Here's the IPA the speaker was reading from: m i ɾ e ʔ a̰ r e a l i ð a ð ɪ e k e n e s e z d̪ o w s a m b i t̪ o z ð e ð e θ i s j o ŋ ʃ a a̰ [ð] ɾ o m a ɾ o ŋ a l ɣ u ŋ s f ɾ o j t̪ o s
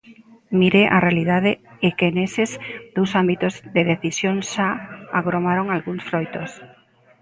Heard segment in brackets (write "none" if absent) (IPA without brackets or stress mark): ɣ